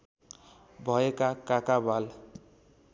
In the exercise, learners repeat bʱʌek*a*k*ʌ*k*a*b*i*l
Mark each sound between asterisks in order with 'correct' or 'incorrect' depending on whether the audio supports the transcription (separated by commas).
correct, incorrect, correct, incorrect